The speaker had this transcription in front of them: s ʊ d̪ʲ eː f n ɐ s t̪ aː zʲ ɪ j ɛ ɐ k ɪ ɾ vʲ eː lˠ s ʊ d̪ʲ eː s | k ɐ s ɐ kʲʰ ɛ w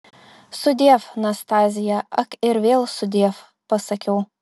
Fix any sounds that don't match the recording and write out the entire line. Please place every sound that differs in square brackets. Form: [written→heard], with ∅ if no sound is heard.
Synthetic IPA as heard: s ʊ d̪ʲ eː f n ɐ s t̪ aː zʲ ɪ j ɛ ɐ k ɪ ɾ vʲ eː lˠ s ʊ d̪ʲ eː [s→f] | [k→p] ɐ s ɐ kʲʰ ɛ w